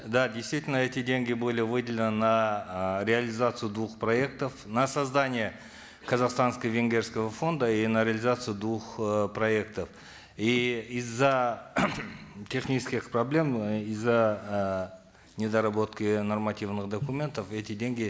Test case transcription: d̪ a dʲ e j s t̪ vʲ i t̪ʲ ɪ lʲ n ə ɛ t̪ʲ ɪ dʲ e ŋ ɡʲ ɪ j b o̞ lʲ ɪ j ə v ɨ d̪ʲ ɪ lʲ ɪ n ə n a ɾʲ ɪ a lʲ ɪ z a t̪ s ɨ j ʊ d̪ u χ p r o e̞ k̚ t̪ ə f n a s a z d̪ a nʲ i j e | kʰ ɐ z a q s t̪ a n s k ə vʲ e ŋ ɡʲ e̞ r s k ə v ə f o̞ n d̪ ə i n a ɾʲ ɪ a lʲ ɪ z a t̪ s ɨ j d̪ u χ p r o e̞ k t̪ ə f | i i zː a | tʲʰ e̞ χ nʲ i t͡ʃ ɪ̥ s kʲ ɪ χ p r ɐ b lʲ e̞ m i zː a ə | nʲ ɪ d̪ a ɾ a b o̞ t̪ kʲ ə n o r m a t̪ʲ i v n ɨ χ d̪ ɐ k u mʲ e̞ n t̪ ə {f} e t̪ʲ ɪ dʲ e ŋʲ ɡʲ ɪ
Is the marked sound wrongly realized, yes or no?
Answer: no